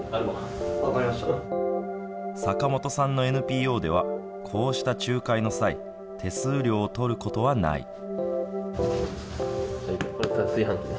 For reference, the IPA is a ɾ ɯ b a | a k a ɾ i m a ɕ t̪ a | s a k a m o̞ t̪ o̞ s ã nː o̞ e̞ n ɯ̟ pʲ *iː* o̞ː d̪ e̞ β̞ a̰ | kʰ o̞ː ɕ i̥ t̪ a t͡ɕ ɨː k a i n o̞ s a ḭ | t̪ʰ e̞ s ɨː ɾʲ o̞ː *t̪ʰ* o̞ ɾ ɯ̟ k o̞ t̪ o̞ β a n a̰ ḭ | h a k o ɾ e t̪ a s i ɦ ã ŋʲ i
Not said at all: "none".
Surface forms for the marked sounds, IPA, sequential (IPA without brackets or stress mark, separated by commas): iː, t̪